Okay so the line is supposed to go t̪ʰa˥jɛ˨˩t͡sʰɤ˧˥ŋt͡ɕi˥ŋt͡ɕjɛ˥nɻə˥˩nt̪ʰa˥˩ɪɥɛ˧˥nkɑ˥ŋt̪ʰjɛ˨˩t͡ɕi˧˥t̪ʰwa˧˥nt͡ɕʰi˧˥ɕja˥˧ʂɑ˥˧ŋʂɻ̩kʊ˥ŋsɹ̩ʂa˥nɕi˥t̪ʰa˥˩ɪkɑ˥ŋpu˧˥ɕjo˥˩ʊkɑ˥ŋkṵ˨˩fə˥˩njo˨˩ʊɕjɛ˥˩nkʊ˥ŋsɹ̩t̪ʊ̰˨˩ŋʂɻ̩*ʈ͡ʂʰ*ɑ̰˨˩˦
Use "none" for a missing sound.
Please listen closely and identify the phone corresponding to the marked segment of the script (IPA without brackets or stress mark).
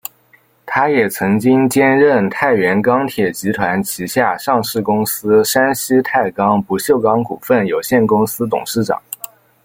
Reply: ʈ͡ʂ